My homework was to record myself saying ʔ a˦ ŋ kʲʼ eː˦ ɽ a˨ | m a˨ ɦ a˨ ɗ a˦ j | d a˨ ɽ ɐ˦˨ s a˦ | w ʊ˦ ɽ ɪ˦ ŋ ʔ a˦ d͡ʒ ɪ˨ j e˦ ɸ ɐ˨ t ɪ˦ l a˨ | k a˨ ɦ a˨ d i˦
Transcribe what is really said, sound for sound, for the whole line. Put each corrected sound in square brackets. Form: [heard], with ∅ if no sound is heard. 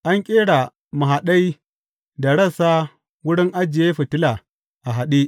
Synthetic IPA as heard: ʔ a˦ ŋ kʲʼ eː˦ ɽ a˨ | m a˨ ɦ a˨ ɗ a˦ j | d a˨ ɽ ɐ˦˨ s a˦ | w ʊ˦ ɽ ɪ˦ ŋ ʔ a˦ d͡ʒ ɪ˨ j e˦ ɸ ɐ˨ t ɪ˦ l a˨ | [ʔ] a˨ ɦ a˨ [ɗ] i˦